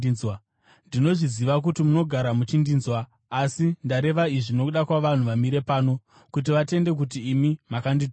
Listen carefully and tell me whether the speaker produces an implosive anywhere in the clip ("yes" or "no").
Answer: yes